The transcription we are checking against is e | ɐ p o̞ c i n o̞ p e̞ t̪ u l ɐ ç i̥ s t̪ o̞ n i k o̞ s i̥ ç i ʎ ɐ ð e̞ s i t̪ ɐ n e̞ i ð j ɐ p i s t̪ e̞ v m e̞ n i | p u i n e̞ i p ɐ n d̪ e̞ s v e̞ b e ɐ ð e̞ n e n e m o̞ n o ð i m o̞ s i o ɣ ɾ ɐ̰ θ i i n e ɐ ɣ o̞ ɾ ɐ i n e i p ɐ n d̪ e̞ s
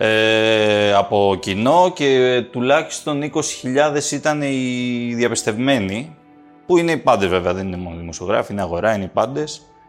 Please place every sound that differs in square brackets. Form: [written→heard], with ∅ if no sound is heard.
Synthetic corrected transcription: e | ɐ p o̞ c i n o̞ [p→c] e̞ t̪ u l ɐ ç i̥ s t̪ o̞ n i k o̞ s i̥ ç i ʎ ɐ ð e̞ s i t̪ ɐ n e̞ i ð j ɐ p i s t̪ e̞ v m e̞ n i | p u i n e̞ i p ɐ n d̪ e̞ [s→z] v e̞ [b→v] e ɐ ð e̞ n [e→i] n e m o̞ n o ð i m o̞ s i o ɣ ɾ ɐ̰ [θ→f] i i n e ɐ ɣ o̞ ɾ ɐ i n e i p ɐ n d̪ e̞ s